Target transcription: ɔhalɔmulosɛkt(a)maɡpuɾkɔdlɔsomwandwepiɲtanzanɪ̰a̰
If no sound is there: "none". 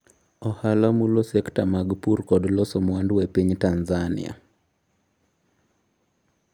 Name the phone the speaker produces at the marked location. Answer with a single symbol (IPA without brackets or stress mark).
a